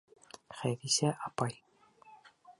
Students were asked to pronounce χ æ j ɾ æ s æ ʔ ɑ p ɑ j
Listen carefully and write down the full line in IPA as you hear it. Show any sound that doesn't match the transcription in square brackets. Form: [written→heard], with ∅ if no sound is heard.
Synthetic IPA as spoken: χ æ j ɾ [æ→i] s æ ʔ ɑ p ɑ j